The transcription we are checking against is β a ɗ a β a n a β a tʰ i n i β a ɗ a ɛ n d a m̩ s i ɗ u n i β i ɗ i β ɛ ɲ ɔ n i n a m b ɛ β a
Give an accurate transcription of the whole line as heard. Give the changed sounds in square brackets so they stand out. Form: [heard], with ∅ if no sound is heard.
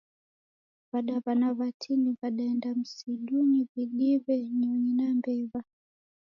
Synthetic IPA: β a ɗ a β a n a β a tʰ i n i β a ɗ a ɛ n d a m̩ s i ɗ u n i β i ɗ i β ɛ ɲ ɔ [ɲ] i n a m b ɛ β a